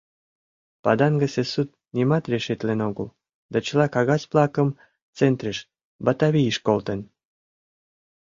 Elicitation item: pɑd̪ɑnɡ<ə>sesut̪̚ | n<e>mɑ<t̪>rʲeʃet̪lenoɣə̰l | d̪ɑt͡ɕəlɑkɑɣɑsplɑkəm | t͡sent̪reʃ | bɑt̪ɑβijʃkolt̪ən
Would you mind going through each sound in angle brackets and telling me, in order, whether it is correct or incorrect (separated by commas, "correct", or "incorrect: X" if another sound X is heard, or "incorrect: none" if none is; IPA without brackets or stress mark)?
correct, incorrect: i, correct